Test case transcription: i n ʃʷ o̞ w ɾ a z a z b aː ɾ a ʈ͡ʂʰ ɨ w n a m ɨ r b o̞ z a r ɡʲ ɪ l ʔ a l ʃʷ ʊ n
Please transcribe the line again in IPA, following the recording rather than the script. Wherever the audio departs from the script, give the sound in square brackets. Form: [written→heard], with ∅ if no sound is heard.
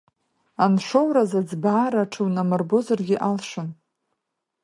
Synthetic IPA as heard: [i→a] n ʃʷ o̞ w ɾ a z a [z→d͡z] b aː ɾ a ʈ͡ʂʰ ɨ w n a m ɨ r b o̞ z a r ɡʲ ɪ [l→∅] ʔ a l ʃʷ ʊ n